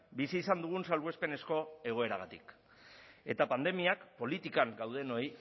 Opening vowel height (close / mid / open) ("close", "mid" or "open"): close